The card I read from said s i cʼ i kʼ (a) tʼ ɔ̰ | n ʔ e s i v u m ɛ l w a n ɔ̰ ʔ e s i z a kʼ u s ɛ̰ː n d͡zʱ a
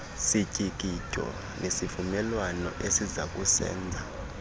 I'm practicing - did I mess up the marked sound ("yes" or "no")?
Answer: yes